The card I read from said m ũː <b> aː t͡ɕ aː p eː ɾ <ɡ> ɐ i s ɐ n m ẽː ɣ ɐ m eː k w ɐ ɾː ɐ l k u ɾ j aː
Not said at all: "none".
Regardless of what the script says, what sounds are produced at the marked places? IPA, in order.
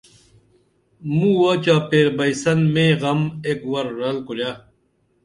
w, b

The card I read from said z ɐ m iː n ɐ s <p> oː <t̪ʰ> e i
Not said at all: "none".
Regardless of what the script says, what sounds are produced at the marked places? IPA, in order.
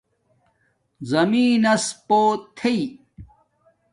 p, t̪ʰ

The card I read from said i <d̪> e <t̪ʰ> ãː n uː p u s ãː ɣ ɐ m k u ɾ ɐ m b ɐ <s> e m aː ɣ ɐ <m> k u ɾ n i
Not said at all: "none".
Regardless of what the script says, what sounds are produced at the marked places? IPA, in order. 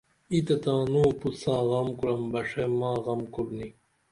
t̪, t̪, ʂ, m

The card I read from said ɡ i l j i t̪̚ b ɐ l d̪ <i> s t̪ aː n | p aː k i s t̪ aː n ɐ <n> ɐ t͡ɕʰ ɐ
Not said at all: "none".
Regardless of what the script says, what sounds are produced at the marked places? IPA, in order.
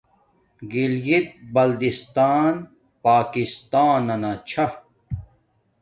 i, n

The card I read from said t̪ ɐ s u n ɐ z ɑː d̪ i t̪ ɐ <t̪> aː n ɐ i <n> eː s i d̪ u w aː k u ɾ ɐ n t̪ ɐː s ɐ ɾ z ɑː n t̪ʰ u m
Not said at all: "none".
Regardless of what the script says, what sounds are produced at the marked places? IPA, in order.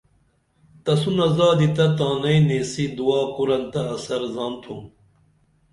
t̪, n

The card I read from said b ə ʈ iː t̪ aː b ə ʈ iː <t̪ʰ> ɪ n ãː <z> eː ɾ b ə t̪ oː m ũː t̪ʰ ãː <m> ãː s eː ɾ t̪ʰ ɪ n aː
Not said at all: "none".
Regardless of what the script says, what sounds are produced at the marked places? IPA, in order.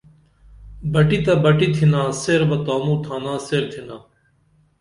t̪ʰ, s, n

